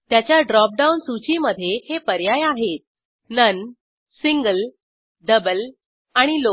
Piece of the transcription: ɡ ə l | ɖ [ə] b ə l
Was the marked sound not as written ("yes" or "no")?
no